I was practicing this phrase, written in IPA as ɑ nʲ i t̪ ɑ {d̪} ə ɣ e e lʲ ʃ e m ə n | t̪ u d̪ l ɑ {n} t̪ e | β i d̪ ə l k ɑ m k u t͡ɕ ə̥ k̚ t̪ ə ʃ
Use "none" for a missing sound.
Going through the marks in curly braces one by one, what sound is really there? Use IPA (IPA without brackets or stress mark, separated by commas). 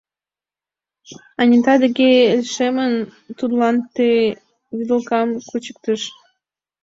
d̪, n